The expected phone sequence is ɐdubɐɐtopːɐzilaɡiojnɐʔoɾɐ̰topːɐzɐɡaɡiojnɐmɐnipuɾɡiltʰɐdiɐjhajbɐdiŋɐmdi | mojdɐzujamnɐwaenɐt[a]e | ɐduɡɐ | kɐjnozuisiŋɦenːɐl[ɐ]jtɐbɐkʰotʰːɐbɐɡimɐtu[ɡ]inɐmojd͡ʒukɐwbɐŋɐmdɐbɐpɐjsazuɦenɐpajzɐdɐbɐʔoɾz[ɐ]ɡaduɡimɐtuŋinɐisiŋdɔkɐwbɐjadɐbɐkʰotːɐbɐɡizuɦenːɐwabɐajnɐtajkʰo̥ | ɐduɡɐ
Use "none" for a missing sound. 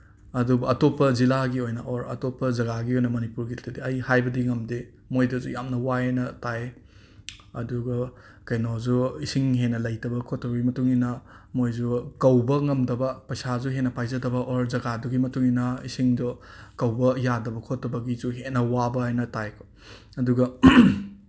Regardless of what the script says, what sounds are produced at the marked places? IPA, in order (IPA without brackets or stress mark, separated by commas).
a, ɐ, ŋ, ɐ